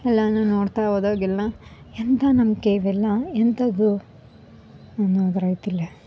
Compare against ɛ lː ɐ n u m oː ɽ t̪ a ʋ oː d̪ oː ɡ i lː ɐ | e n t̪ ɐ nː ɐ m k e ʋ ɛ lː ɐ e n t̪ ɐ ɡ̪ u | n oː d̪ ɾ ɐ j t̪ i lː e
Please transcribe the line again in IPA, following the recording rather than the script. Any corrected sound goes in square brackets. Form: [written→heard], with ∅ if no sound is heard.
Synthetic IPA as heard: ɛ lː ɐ n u [m→n] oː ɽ t̪ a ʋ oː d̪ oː ɡ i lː ɐ | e n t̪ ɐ [nː→n] ɐ m k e ʋ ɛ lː ɐ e n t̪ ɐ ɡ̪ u | n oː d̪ ɾ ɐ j t̪ i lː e